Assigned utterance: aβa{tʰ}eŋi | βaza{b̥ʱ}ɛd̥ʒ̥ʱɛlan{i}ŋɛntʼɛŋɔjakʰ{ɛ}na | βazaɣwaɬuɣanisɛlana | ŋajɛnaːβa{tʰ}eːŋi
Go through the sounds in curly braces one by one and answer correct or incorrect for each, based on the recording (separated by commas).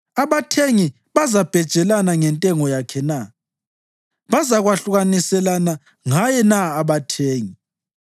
correct, correct, incorrect, correct, correct